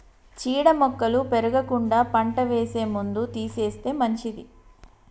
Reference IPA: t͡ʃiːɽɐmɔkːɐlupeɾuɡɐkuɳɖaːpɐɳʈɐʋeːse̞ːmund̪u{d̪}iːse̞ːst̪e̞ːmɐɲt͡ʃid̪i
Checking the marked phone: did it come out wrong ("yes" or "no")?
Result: yes